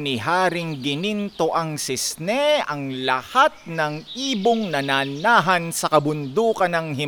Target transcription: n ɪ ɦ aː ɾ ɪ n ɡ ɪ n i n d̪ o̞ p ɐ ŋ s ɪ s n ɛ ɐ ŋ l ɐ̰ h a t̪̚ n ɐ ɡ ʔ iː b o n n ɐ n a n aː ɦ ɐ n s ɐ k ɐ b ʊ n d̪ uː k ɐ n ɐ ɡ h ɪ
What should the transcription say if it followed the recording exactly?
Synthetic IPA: n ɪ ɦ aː ɾ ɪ ŋ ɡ ɪ n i n t̪ o̞ ʔ ɐ ŋ s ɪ s n ɛ ɐ ŋ l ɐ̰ h a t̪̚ n ɐ ŋ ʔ iː b o ŋ n ɐ n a n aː ɦ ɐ n s ɐ k ɐ b ʊ n d̪ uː k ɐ n ɐ ŋ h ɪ